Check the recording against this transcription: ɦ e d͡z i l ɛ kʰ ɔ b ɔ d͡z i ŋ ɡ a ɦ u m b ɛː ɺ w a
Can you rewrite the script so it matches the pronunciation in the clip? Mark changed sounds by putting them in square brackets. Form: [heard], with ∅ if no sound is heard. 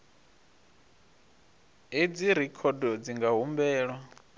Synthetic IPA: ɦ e d͡z i [ɾ] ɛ kʰ ɔ [d] ɔ d͡z i ŋ ɡ a ɦ u m b ɛː ɺ w a

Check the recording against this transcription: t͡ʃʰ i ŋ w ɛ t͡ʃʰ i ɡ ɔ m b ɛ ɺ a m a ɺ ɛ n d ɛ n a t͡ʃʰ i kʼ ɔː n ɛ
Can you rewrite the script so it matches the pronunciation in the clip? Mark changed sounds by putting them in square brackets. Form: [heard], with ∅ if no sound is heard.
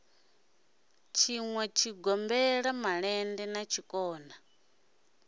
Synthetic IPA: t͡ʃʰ i ŋ w ɛ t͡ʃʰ i ɡ ɔ m b ɛ ɺ a m a ɺ ɛ n d ɛ n a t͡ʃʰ i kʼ ɔː n [a]

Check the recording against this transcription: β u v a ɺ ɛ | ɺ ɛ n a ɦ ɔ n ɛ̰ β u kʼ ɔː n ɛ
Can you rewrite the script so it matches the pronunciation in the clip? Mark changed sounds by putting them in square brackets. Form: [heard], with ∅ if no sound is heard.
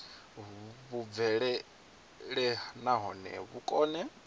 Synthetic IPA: β u v [ɛ] ɺ ɛ | ɺ ɛ n a ɦ ɔ n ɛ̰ β u kʼ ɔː n ɛ

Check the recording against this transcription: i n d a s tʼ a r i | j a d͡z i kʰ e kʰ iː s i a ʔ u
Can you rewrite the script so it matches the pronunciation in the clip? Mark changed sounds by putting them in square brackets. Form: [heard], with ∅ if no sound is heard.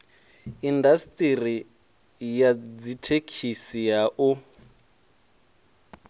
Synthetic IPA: i n d a s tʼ [i] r i | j a d͡z i [tʰ] e kʰ [i] s i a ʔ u

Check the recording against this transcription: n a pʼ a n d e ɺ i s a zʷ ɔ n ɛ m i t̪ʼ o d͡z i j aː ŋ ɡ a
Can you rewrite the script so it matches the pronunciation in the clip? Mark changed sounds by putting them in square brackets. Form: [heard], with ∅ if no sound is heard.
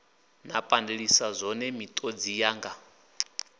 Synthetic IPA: n a pʼ a n d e ɺ i s a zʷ ɔ n ɛ m i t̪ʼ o d͡z i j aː ŋ ɡ a

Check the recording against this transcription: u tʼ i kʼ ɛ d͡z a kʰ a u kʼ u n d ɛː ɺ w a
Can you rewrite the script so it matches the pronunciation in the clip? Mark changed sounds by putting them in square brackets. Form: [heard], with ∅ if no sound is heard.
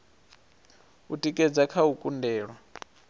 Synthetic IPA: u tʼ i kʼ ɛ d͡z a kʰ a u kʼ u n d ɛː ɺ w a

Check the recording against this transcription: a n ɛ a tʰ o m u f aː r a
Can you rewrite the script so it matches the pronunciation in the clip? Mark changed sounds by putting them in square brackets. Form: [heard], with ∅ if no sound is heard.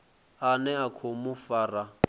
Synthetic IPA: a n ɛ a [kʰ] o m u f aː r a

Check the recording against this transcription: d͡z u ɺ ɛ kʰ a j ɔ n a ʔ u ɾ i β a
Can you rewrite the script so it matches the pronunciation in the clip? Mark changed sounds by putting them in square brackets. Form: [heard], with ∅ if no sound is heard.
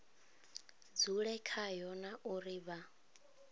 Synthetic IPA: d͡z u ɺ ɛ kʰ a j ɔ n a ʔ u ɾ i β a

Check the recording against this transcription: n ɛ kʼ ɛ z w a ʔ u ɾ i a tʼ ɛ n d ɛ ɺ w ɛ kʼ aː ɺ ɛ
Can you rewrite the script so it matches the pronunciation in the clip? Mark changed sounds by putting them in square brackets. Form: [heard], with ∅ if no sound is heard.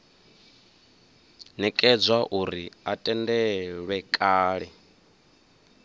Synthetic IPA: n ɛ kʼ ɛ [d͡z] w a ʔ u ɾ i a tʼ ɛ n d ɛ ɺ w ɛ kʼ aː ɺ ɛ

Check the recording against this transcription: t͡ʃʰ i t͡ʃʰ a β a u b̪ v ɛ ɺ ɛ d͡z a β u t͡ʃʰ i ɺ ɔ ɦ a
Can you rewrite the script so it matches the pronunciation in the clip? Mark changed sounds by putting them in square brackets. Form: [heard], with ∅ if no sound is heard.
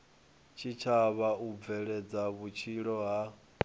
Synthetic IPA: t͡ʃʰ i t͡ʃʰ a β a u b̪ v ɛ ɺ ɛ d͡z a β u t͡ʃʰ i ɺ ɔ ɦ a

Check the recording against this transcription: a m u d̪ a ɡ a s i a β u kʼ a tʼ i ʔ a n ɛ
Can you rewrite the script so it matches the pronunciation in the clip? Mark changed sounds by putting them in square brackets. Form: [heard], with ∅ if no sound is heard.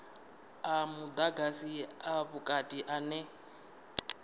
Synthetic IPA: a m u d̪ a ɡ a s i a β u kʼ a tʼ i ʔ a n ɛ

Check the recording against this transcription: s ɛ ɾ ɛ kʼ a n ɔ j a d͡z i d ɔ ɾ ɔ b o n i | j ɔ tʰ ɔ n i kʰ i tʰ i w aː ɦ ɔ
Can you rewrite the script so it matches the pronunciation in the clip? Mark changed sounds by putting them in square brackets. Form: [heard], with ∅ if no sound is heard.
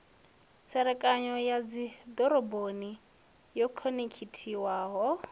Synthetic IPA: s ɛ ɾ ɛ kʼ a [ɲ] ɔ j a d͡z i d ɔ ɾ ɔ b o n i | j ɔ [kʰ] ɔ n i kʰ i tʰ i w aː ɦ ɔ

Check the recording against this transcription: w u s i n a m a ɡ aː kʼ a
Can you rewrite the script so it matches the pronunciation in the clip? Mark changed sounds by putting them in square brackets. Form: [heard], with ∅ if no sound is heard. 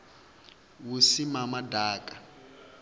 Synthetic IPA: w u s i [m] a m a [d] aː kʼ a

